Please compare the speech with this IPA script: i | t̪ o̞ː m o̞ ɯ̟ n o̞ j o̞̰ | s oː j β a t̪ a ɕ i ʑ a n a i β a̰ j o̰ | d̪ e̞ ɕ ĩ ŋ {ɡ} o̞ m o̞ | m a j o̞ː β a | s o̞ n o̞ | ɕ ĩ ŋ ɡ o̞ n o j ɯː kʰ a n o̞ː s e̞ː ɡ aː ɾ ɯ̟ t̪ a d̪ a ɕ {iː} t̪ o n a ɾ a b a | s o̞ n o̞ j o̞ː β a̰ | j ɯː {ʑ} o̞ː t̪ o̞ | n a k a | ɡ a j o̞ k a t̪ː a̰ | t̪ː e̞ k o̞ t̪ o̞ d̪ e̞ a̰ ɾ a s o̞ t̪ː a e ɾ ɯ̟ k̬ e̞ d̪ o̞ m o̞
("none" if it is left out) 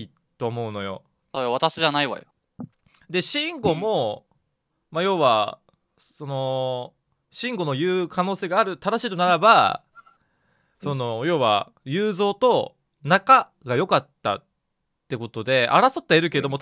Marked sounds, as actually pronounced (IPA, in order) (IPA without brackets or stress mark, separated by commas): ɡ, iː, z